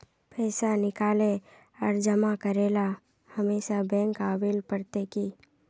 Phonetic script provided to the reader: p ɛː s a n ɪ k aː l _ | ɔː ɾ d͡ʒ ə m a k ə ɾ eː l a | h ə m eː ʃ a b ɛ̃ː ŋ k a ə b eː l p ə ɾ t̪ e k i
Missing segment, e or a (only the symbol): e